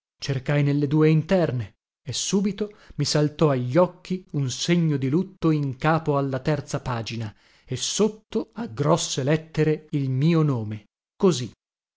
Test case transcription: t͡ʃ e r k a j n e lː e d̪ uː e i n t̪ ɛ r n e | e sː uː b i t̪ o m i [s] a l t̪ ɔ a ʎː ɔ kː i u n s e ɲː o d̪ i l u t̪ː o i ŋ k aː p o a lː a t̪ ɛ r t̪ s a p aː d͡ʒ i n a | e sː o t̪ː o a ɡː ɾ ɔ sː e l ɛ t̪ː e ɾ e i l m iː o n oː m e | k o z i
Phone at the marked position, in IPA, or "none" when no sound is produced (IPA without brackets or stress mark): s